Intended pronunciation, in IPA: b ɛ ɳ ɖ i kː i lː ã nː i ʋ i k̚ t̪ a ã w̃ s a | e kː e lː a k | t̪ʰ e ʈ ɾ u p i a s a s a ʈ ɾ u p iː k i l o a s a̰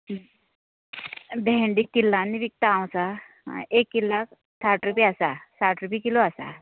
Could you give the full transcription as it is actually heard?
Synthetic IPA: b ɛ ɳ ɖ i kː i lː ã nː i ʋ i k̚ t̪ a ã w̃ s a | e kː i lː a k | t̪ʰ a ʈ ɾ u p i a s a s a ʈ ɾ u p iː k i l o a s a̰